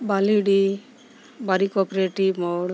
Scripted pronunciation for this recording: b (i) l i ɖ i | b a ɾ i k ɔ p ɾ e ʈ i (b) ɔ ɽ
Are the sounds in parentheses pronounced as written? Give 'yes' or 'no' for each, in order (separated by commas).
no, no